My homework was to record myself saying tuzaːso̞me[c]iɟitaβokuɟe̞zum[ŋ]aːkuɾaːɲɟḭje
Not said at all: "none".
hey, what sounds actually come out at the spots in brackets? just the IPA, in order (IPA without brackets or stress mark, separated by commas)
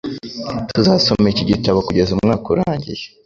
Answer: c, ŋ